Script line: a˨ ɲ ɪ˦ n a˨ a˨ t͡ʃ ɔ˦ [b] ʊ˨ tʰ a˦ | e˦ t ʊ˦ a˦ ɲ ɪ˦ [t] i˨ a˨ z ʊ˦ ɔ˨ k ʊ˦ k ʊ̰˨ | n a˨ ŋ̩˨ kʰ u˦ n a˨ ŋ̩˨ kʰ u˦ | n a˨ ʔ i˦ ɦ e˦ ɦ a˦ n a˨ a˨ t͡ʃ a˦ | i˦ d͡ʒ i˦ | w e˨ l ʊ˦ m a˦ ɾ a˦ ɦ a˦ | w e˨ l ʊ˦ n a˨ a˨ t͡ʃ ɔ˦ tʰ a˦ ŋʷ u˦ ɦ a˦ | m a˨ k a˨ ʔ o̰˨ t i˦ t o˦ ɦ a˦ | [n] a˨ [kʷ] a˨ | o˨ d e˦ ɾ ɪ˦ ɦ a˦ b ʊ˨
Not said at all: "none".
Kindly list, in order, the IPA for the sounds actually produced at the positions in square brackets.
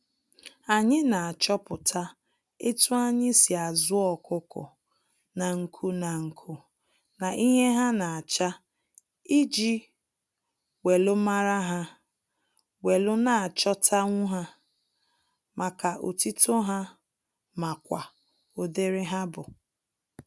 p, s, m, kʷ

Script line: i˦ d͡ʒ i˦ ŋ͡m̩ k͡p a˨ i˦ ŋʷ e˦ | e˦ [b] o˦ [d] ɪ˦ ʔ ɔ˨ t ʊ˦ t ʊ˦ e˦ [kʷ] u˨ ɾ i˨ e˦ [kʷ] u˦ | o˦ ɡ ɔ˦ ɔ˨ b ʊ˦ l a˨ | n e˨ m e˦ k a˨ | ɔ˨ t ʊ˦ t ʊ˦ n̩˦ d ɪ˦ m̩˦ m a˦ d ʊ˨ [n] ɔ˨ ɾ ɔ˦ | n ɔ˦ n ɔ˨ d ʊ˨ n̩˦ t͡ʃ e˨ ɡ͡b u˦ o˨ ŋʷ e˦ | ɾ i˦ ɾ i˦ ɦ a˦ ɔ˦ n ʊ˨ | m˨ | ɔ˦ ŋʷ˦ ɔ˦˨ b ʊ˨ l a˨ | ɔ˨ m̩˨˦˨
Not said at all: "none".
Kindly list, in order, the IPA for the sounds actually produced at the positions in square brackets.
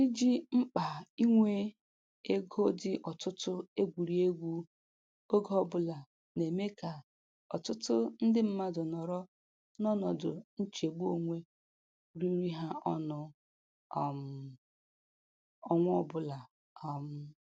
ɡ, d, ɡʷ, ɡʷ, n

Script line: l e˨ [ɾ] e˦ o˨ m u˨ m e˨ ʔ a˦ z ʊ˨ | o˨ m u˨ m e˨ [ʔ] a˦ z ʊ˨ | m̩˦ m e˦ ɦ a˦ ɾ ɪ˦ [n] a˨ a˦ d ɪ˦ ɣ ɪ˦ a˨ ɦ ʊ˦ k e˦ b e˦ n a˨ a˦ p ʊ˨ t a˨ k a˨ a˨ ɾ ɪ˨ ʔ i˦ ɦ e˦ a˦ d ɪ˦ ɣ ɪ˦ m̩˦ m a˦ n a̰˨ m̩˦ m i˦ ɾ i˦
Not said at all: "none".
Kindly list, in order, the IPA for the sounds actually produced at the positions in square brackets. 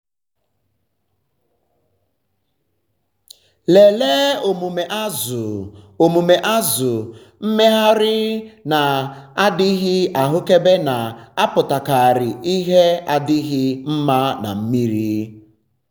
l, ʔ, n

